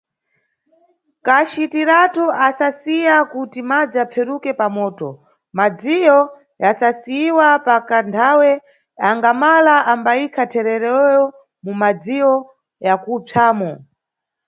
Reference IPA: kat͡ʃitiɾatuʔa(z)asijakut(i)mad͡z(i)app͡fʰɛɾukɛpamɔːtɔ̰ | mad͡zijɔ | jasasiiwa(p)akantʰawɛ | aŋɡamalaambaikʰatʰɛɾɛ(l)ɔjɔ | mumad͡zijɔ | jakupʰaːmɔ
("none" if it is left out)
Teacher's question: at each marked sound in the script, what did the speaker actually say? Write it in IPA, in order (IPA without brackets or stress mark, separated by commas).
s, i, i, p, ɾ